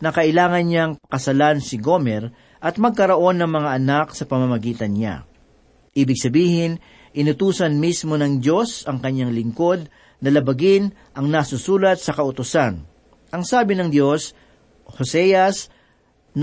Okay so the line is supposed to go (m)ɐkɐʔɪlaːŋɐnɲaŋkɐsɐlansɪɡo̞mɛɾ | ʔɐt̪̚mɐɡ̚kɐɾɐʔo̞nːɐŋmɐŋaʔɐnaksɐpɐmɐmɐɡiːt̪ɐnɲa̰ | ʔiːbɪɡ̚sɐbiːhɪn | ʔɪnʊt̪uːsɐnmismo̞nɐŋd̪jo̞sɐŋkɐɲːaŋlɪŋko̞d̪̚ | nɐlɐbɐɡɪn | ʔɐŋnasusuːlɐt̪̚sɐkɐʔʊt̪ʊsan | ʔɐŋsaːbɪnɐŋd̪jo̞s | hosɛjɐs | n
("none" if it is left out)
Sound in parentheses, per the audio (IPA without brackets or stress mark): n